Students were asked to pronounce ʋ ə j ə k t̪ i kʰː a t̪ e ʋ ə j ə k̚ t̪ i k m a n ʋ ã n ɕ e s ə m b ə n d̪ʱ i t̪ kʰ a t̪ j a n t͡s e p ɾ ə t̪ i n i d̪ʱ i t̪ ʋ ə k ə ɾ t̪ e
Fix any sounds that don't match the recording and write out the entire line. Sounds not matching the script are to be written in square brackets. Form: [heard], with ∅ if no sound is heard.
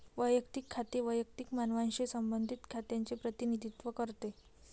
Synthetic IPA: ʋ ə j ə k t̪ i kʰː a t̪ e ʋ ə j ə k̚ t̪ i k m a n ʋ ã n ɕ e s ə m b ə n d̪ʱ i t̪ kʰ a t̪ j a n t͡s e p ɾ ə t̪ i n i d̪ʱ i t̪ ʋ ə k ə ɾ t̪ e